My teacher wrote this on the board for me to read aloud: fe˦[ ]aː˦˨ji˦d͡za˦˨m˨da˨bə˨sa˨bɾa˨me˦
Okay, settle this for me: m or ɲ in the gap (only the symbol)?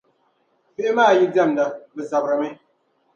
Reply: m